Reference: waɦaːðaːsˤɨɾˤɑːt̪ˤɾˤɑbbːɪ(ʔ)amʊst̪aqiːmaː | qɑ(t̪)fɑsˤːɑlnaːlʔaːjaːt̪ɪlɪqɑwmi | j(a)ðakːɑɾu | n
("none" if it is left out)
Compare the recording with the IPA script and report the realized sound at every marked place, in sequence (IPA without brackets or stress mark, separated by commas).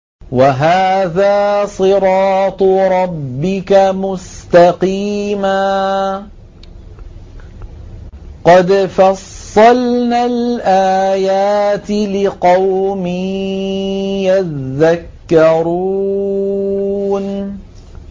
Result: k, d̪, a